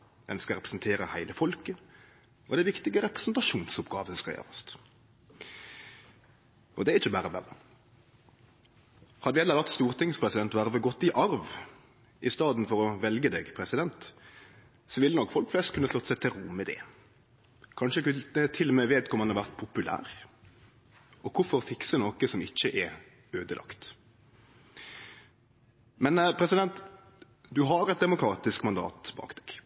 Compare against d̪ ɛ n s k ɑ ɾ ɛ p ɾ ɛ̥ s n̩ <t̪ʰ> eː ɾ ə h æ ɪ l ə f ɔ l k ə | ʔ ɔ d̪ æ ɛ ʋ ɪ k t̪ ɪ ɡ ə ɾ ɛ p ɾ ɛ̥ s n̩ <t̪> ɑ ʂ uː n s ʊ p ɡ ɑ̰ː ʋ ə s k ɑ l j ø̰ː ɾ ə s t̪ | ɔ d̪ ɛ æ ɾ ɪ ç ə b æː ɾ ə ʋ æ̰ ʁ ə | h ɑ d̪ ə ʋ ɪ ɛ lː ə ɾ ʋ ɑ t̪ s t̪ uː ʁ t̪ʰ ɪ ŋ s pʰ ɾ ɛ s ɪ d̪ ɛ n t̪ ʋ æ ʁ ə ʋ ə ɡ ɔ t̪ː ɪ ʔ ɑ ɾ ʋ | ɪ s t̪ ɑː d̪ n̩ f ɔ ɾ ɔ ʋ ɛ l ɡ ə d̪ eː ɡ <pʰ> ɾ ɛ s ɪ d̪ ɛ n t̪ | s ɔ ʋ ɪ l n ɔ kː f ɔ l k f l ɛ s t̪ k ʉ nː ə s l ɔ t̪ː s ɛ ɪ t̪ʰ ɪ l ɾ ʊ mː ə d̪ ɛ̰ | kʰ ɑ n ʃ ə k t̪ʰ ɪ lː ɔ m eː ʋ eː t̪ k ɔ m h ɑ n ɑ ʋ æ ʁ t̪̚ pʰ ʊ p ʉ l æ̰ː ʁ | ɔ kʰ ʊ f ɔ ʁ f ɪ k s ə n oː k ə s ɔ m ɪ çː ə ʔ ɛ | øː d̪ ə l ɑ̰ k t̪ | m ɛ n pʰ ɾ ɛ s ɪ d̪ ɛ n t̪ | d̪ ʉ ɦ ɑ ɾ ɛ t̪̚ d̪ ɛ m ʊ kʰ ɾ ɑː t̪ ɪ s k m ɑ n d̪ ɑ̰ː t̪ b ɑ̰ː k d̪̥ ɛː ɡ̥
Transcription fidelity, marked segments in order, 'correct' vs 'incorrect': correct, correct, correct

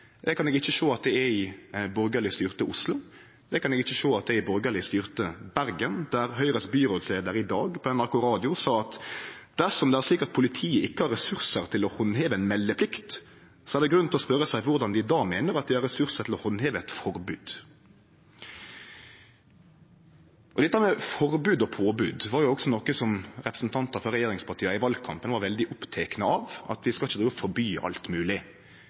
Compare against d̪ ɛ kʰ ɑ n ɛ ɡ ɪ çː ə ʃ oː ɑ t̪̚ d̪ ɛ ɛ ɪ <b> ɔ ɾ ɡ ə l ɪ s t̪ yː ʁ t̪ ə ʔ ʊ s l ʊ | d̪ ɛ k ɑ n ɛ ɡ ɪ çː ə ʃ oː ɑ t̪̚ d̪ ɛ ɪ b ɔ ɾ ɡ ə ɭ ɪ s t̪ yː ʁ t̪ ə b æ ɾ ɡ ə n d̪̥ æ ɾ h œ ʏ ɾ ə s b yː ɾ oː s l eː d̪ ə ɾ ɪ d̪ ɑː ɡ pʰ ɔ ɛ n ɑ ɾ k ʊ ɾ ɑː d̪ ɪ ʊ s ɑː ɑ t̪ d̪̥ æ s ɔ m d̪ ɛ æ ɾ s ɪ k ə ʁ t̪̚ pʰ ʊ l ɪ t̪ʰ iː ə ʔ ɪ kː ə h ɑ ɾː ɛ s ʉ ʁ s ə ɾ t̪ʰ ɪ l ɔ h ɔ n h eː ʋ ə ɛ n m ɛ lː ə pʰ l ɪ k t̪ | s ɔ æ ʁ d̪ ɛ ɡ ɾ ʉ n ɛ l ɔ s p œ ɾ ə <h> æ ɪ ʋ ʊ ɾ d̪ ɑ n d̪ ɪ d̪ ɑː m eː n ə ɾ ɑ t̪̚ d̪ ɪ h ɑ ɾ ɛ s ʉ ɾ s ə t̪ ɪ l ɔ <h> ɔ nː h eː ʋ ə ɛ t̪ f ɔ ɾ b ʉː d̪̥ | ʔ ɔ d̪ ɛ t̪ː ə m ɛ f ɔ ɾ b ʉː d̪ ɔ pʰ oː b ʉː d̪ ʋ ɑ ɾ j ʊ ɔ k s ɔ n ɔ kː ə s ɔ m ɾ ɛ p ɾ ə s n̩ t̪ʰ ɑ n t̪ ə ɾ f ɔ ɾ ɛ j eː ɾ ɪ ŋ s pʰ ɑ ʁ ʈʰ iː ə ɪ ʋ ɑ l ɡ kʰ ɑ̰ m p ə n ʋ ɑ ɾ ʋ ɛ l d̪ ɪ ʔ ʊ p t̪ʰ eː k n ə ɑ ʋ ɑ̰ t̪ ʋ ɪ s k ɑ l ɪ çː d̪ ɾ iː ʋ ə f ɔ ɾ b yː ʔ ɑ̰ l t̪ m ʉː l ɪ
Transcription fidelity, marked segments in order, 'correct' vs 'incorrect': correct, incorrect: s, correct

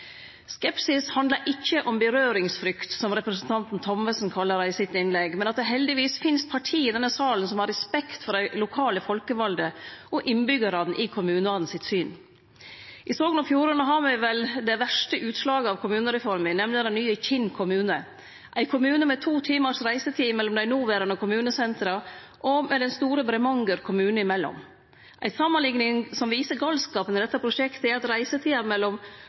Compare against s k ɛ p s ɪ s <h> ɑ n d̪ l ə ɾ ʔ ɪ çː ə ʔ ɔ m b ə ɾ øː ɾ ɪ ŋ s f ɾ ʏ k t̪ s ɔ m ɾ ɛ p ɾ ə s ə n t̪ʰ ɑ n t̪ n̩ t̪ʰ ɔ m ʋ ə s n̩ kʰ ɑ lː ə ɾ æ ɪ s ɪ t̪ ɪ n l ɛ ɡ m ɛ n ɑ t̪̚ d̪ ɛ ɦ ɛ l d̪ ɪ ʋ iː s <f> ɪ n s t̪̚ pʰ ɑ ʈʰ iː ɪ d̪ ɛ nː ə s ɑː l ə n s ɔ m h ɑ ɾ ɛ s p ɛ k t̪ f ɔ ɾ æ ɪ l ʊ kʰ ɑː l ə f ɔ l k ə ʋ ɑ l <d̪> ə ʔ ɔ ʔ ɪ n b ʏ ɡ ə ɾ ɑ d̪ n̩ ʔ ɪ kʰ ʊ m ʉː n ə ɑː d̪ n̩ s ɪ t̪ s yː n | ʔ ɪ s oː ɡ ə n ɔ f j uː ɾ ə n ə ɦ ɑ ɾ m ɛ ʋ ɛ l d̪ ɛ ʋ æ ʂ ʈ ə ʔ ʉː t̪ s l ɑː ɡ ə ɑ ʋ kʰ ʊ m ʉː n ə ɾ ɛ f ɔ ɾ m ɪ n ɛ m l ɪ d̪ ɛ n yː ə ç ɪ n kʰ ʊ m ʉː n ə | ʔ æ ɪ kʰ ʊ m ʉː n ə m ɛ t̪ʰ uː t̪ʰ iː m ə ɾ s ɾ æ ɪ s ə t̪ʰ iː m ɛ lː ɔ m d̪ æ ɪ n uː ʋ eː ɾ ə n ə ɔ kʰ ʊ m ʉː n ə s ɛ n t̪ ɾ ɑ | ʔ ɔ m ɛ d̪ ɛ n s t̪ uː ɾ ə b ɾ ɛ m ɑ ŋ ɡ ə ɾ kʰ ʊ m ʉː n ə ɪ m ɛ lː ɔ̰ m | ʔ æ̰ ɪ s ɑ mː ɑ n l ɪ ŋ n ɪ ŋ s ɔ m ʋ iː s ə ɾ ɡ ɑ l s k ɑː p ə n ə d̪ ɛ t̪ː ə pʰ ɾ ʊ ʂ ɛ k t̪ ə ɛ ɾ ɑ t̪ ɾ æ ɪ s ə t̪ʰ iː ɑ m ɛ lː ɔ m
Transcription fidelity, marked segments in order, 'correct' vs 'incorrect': correct, correct, correct

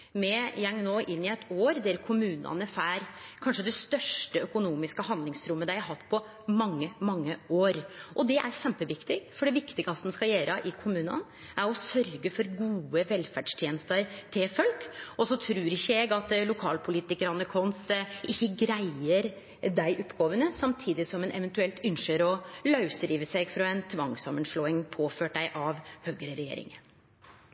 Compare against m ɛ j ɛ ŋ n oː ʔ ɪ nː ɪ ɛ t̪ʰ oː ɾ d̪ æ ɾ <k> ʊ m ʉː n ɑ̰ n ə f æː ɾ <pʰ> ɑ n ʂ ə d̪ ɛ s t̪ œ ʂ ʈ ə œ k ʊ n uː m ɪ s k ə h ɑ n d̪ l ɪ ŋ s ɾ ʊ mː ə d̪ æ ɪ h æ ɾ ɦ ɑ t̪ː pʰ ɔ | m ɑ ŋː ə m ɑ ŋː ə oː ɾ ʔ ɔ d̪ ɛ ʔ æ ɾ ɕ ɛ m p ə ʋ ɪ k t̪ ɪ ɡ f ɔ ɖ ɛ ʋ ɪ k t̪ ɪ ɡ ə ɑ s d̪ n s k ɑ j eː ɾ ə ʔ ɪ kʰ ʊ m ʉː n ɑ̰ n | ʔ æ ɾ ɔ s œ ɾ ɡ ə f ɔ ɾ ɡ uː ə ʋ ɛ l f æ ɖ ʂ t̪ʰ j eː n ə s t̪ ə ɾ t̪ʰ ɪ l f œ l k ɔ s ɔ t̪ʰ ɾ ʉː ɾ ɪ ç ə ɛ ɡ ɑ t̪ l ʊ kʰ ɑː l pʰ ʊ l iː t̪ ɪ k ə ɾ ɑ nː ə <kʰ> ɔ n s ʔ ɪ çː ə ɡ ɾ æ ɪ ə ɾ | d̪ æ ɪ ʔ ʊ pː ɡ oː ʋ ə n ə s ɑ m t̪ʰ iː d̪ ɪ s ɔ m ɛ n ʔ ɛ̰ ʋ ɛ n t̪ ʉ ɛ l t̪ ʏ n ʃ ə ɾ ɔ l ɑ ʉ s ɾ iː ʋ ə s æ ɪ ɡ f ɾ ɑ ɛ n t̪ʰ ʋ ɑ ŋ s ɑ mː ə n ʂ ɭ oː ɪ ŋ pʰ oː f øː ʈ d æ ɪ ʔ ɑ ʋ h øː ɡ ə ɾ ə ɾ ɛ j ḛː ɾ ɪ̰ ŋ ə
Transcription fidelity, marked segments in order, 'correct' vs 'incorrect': incorrect: kʰ, incorrect: kʰ, correct

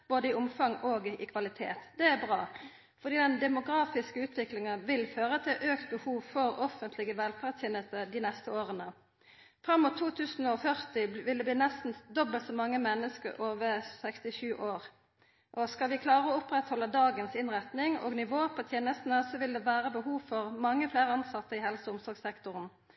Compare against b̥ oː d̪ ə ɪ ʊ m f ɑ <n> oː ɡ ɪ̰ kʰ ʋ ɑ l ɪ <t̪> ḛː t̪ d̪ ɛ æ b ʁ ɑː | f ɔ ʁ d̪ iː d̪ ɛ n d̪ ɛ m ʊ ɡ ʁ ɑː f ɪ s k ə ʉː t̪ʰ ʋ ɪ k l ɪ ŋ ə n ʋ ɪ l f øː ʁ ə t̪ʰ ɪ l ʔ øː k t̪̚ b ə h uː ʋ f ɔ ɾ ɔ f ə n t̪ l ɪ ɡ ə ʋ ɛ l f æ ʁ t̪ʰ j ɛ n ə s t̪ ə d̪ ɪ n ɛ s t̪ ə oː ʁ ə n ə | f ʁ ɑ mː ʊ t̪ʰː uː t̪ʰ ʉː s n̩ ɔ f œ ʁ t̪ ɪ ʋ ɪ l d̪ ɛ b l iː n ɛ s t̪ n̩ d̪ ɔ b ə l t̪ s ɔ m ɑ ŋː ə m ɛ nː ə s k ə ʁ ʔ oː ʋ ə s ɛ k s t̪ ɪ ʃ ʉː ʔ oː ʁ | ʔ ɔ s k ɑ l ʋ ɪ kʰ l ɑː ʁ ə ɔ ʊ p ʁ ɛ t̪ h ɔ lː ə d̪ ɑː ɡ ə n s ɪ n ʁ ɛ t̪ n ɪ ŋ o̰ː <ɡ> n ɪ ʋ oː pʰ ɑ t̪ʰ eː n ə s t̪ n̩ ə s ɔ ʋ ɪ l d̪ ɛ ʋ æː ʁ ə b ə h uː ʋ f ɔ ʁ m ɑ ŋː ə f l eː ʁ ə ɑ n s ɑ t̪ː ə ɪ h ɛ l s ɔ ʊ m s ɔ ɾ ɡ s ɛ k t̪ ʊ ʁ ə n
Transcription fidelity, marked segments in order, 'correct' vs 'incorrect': incorrect: ŋ, incorrect: t̪ʰ, correct

